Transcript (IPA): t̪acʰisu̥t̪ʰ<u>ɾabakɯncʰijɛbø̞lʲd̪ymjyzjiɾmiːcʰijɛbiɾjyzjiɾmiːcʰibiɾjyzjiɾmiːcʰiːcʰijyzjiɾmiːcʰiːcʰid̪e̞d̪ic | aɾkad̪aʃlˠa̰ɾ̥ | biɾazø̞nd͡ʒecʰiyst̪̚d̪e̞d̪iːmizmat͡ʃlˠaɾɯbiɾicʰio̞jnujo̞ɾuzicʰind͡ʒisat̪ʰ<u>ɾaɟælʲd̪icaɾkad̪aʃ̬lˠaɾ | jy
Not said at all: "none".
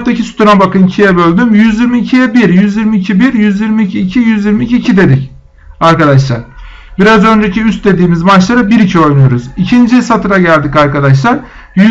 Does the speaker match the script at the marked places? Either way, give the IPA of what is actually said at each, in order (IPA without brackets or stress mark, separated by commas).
u, ɯ